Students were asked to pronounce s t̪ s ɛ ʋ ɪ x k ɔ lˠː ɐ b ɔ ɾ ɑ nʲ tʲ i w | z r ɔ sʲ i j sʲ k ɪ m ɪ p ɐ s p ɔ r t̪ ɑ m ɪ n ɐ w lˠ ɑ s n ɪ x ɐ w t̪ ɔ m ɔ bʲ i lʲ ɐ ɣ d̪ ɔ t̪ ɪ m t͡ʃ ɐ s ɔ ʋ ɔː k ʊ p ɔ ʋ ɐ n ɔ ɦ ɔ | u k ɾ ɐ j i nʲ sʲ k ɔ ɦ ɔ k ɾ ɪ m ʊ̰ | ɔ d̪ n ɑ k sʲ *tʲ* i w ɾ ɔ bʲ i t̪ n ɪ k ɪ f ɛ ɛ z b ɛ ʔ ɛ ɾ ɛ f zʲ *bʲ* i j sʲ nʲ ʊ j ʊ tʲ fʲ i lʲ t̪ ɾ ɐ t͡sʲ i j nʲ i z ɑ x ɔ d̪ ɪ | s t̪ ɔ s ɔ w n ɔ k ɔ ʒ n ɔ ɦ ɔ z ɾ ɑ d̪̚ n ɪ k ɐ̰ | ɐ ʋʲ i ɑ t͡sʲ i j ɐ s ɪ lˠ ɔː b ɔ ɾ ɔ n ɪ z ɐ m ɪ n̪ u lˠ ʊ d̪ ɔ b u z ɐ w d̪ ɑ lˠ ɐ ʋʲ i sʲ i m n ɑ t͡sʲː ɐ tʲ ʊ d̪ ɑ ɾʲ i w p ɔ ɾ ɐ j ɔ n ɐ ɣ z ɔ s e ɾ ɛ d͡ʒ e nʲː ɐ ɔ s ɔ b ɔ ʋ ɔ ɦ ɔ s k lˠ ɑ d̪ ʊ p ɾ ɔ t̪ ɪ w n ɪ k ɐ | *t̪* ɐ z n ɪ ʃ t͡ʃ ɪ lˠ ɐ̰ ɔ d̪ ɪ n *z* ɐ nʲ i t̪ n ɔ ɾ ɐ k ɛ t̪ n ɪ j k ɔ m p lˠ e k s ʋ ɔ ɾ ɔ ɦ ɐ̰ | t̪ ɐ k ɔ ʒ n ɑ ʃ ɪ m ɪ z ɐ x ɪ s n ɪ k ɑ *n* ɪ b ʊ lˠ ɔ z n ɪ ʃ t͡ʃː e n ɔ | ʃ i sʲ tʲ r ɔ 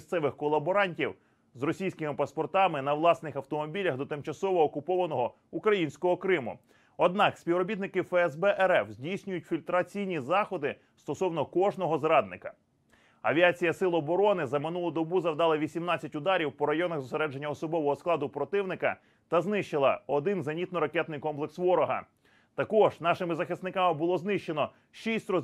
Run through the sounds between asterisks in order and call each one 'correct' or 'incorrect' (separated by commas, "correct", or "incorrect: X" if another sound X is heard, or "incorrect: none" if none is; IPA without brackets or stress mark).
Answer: incorrect: pʲ, incorrect: dʲ, correct, correct, incorrect: m